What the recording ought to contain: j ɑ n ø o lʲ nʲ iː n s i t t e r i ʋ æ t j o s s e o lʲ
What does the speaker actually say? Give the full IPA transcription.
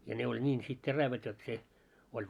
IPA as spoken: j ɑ n e o lʲ nʲ iː n s i t t e r æ ʋ æ t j o t s e o lʲ